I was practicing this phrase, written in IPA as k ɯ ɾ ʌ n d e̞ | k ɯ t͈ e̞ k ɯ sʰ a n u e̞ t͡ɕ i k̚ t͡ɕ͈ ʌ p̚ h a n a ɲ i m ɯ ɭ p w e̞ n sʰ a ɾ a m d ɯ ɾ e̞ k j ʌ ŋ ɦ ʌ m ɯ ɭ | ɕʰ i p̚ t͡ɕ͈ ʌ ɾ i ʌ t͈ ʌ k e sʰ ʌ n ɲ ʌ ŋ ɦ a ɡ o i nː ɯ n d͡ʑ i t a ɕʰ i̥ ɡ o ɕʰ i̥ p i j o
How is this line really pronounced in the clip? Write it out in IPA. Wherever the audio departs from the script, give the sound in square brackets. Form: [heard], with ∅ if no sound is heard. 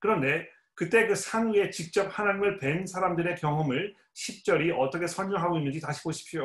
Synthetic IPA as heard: k ɯ ɾ ʌ n d e̞ | k ɯ t͈ e̞ k ɯ sʰ a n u e̞ t͡ɕ i k̚ t͡ɕ͈ ʌ p̚ h a n a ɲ i m ɯ ɭ p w e̞ n sʰ a ɾ a m d ɯ ɾ e̞ k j ʌ ŋ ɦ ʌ m ɯ ɭ | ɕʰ i p̚ t͡ɕ͈ ʌ ɾ i ʌ t͈ ʌ [kʰ] e sʰ ʌ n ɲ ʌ ŋ ɦ a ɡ o i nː ɯ n d͡ʑ i t a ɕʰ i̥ ɡ o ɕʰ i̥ [pʰ] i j o